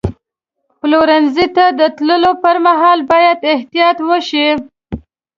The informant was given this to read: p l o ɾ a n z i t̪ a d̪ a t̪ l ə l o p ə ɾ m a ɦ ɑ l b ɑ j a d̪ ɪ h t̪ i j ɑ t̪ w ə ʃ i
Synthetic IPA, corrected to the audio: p l o ɾ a n z i t̪ a d̪ ə t̪ l ə l o p ə ɾ m a ɦ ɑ l b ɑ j a d̪ ɪ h t̪ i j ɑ t̪ w ə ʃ i